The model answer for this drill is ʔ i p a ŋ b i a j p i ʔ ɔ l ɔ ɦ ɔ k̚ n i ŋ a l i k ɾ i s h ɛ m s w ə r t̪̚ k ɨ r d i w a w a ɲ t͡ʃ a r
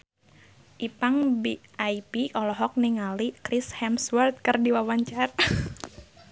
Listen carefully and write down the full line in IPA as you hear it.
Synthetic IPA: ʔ i p a ŋ b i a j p i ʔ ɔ l ɔ ɦ ɔ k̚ n i ŋ a l i k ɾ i s h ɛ m s w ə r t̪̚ k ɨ r d i w a w a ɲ t͡ʃ a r